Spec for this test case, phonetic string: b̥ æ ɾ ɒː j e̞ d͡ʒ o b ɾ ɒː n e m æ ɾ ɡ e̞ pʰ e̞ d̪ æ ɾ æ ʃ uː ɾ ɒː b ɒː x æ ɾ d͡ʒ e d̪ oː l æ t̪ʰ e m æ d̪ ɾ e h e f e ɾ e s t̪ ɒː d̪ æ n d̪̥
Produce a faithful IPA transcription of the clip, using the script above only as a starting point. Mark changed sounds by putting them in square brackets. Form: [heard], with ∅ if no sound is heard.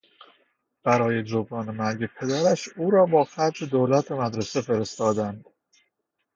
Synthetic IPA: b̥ æ ɾ ɒː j e̞ d͡ʒ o b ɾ ɒː n e m æ ɾ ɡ e̞ pʰ e̞ d̪ æ ɾ æ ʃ uː ɾ ɒː b ɒː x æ ɾ d͡ʒ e d̪ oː l æ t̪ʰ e m æ d̪ ɾ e [s] e f e ɾ e s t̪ ɒː d̪ æ n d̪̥

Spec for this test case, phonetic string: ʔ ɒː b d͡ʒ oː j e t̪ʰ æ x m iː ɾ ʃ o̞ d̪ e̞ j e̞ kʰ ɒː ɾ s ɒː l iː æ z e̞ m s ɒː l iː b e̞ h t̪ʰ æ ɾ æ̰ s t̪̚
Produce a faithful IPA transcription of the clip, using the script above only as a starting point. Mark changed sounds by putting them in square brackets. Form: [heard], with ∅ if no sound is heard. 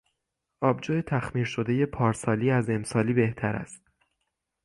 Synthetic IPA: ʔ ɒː b d͡ʒ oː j e t̪ʰ æ x m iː ɾ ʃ o̞ d̪ e̞ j e̞ [pʰ] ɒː ɾ s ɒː l iː æ z e̞ m s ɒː l iː b e̞ h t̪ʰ æ ɾ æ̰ s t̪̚

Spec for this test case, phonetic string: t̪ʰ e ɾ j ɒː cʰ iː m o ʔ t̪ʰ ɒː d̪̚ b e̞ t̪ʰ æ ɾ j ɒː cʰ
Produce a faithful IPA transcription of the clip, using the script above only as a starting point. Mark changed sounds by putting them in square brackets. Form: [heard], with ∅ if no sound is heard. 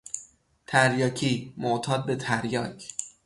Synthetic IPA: t̪ʰ [æ] ɾ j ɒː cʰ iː m o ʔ t̪ʰ ɒː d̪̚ b e̞ t̪ʰ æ ɾ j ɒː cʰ

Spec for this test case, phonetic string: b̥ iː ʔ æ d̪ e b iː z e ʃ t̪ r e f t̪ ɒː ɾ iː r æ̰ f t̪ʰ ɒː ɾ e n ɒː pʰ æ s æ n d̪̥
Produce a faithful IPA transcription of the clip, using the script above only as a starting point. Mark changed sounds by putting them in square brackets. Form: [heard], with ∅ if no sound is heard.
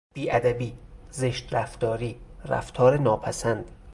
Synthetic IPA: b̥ iː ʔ æ d̪ [æ] b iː z e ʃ t̪ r [æ] f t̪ ɒː ɾ iː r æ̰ f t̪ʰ ɒː ɾ e n ɒː pʰ æ s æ n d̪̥

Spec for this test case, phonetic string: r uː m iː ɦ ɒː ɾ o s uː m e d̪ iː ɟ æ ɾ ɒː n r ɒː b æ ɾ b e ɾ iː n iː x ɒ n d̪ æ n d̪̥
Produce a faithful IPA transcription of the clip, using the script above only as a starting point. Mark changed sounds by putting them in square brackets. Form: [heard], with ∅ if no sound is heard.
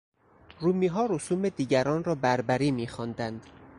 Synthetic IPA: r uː m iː ɦ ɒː ɾ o s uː m e d̪ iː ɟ æ ɾ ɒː n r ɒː b æ ɾ b [æ] ɾ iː [m] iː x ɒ n d̪ æ n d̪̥

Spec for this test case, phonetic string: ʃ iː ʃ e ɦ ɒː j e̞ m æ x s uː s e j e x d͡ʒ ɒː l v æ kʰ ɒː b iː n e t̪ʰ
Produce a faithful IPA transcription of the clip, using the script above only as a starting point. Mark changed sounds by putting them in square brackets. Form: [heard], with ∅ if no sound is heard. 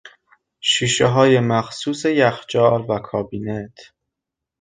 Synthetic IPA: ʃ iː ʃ e ɦ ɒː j e̞ m æ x s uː s e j [æ] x d͡ʒ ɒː l v æ kʰ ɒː b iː n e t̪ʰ

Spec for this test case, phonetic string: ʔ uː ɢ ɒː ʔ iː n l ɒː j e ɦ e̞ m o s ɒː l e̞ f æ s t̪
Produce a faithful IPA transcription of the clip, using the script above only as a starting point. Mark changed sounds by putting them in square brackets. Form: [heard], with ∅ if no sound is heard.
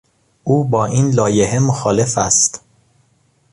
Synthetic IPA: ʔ uː [b] ɒː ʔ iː n l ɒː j e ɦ e̞ m o [x] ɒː l e̞ f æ s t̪

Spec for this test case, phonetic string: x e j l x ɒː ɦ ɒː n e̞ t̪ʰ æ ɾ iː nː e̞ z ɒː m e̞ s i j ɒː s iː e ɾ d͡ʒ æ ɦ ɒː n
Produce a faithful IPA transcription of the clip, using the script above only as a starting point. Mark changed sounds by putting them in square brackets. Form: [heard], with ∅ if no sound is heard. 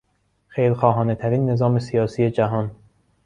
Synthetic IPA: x e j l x ɒː ɦ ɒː n e̞ t̪ʰ æ ɾ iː nː e̞ z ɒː m e̞ s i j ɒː s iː e [∅] d͡ʒ æ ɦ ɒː n

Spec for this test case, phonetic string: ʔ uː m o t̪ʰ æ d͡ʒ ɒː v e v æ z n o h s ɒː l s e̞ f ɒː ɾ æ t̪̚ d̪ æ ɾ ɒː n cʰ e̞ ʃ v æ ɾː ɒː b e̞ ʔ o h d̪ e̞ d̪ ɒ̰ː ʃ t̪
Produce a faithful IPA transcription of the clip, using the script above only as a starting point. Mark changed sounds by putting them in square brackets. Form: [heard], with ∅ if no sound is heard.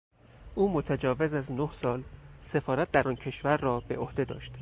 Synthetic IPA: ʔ uː m o t̪ʰ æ d͡ʒ ɒː v e [z] æ z n o h s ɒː l s e̞ f ɒː ɾ æ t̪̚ d̪ æ ɾ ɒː n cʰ e̞ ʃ v æ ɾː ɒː b e̞ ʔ o h d̪ e̞ d̪ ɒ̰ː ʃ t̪

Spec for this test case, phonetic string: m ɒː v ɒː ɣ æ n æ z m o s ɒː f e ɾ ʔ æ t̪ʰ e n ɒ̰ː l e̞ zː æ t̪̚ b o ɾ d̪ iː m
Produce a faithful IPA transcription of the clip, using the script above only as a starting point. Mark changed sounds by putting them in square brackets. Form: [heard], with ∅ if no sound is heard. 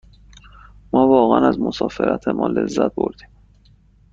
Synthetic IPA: m ɒː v ɒː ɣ æ n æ z m o s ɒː f e ɾ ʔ æ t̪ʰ e [m] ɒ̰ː l e̞ zː æ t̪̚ b o ɾ d̪ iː m

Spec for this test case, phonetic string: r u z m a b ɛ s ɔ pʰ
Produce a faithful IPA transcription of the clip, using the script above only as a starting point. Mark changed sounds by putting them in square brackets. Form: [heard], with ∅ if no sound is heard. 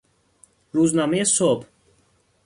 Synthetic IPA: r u z [n] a [m] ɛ s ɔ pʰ

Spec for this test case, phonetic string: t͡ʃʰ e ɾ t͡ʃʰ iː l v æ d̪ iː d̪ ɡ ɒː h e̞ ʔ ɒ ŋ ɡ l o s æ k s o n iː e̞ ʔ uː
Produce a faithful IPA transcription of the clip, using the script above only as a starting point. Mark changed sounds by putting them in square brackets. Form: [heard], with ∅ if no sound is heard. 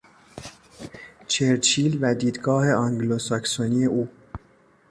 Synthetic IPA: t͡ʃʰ e ɾ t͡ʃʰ iː l v æ d̪ iː d̪ ɡ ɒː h e̞ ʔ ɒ ŋ ɡ l o s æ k s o n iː e̞ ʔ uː

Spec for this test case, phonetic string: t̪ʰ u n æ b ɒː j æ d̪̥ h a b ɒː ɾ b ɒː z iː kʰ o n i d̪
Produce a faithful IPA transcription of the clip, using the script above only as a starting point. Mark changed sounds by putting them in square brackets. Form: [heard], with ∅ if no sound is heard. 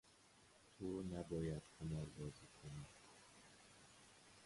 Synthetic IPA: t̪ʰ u n æ b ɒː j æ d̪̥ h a [m] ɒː ɾ b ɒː z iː kʰ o n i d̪

